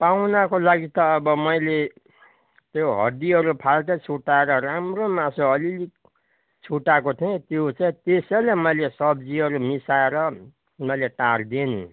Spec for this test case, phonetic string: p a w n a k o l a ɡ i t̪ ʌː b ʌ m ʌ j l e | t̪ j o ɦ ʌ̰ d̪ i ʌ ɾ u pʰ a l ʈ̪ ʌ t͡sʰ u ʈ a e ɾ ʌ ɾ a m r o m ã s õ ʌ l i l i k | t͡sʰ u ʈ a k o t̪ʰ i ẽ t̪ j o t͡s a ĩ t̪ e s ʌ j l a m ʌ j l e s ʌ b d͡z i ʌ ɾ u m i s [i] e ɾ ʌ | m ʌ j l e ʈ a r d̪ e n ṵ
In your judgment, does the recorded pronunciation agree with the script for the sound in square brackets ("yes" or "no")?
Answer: no